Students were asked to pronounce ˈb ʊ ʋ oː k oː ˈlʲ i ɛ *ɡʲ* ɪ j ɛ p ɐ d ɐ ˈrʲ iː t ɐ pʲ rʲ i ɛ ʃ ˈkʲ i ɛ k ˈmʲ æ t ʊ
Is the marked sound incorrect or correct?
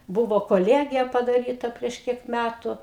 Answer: correct